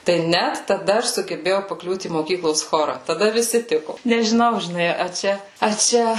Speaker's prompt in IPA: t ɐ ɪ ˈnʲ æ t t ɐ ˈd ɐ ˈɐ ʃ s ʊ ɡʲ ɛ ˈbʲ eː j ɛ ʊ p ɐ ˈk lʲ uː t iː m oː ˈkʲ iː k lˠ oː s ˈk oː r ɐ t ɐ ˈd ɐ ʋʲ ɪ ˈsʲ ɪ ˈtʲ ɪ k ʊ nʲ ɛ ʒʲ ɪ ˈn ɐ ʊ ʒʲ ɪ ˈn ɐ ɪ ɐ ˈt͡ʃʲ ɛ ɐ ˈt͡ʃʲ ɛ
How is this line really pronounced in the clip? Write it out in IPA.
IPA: t ɐ ɪ ˈnʲ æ t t ɐ ˈd ɐ ˈɐ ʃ s ʊ ɡʲ ɛ ˈbʲ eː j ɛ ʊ p ɐ ˈk lʲ uː t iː m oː ˈkʲ iː k lˠ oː s ˈx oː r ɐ t ɐ ˈd ɐ ʋʲ ɪ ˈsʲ ɪ ˈtʲ ɪ k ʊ nʲ ɛ ʒʲ ɪ ˈn ɐ ʊ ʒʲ ɪ ˈn ɐ ɪ ɐ ˈt͡ʃʲ ɛ ɐ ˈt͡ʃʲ ɛ